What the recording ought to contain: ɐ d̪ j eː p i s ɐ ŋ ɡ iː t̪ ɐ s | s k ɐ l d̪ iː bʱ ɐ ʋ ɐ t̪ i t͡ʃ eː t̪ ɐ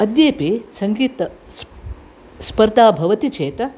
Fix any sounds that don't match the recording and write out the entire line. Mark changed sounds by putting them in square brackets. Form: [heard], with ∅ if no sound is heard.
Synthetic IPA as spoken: ɐ d̪ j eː p i s ɐ ŋ ɡ iː t̪ ɐ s | s [p] ɐ [ɾ] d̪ [aː] bʱ ɐ ʋ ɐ t̪ i t͡ʃ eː t̪ ɐ